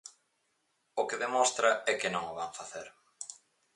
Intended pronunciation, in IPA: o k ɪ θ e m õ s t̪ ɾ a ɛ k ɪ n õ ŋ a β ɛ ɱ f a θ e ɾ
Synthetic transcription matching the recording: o k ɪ ð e m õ s t̪ ɾ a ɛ k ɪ n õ ŋ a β a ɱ f a θ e ɾ